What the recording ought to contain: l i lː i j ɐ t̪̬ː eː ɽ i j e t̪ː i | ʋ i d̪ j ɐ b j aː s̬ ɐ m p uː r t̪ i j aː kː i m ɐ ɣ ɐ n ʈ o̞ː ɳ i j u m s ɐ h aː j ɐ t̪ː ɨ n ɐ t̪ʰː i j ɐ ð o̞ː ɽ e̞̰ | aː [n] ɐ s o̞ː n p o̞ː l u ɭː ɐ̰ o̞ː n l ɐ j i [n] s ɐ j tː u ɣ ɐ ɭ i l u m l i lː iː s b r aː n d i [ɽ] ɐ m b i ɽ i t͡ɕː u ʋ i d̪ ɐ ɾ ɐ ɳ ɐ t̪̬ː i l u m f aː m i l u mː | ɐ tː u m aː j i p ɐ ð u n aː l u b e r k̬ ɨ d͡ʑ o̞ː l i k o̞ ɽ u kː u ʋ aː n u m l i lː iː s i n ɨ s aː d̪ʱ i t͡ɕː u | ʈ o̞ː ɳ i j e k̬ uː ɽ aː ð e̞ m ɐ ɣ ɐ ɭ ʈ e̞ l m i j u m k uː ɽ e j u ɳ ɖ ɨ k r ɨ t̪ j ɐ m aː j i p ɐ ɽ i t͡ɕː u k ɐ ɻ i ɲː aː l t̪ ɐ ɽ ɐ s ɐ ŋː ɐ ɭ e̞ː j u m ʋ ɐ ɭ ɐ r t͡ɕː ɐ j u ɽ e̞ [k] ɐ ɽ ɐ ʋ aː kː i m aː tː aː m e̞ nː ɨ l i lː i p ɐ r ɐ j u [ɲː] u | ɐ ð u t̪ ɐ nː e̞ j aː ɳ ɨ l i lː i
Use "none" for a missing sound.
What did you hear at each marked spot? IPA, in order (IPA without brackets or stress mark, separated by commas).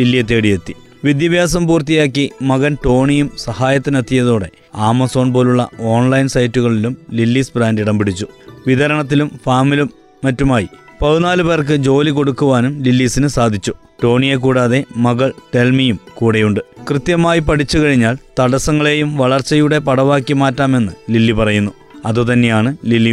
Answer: m, n, ɽ, p, nː